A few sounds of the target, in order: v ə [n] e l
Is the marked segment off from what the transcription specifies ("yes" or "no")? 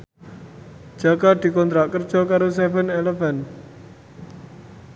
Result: no